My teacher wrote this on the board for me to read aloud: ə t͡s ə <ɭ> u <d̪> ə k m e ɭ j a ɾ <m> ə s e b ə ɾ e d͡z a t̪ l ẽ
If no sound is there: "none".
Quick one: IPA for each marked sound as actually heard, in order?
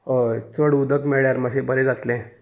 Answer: ɽ, d̪, m

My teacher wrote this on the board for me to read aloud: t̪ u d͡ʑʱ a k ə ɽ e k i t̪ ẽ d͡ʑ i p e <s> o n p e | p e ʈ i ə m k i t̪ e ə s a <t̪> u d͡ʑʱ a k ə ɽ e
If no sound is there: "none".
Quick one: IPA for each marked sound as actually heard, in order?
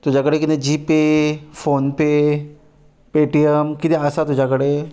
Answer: f, t̪

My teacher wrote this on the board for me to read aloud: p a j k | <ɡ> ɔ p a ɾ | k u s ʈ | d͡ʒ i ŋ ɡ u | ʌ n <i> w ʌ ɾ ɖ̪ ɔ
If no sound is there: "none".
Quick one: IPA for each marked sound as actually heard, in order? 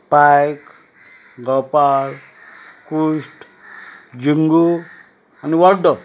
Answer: ɡ, i

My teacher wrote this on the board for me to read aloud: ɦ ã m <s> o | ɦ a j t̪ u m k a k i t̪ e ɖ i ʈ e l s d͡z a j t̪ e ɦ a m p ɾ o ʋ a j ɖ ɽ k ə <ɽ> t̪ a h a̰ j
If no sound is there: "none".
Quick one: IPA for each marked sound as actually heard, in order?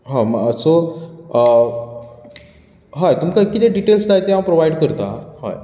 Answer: s, ɾ

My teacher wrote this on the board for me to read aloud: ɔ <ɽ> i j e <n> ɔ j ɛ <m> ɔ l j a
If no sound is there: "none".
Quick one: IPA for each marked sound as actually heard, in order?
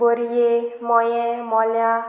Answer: ɾ, m, m

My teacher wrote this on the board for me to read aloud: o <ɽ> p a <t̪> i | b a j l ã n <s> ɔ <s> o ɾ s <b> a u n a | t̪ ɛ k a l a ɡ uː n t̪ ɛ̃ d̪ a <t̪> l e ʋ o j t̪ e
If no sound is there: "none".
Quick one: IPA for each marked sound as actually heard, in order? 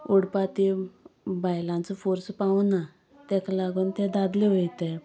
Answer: ɽ, t̪, t͡s, f, p, d̪

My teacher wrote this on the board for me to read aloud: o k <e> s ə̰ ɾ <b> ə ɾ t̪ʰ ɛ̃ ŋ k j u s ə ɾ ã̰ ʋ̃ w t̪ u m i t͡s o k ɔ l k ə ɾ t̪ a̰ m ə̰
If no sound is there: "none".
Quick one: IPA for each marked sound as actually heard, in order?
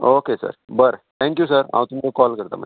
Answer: e, b

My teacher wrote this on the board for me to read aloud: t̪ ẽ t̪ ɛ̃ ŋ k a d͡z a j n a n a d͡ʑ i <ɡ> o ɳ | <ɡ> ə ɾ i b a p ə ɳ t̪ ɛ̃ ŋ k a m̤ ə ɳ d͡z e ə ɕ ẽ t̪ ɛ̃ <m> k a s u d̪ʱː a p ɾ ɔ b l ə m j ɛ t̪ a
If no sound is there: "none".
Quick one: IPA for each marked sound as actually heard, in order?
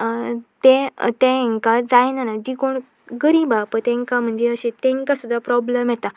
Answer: k, ɡ, ŋ

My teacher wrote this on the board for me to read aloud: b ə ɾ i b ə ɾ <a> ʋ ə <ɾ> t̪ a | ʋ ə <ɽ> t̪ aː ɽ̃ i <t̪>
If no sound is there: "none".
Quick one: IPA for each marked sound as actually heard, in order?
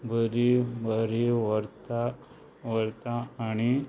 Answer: i, ɾ, ɾ, none

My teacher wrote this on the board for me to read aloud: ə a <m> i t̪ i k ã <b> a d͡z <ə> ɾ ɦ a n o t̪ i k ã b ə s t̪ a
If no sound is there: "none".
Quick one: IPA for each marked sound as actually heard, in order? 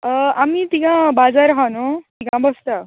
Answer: m, b, a

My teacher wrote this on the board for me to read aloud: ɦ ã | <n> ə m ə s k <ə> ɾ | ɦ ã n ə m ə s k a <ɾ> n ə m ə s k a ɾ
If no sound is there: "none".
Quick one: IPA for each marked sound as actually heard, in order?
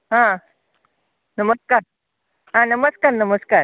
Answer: n, a, ɾ

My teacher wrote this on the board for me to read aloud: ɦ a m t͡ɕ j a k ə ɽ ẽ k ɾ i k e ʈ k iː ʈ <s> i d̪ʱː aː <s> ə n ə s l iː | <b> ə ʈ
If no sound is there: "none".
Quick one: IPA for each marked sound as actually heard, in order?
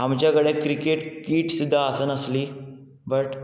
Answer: s, s, b

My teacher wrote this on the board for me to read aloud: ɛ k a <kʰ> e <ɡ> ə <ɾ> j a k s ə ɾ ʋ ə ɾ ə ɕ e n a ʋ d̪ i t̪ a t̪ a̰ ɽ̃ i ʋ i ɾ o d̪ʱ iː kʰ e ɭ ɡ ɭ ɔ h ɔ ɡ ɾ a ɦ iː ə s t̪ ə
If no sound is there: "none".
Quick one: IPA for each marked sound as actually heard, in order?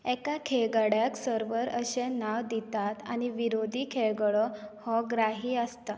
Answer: kʰ, ɡ, ɽ

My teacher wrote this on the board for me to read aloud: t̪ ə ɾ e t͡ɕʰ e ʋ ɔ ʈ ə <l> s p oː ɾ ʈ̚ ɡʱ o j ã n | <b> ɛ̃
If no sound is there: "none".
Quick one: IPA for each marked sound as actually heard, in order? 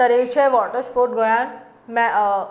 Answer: ɾ, m

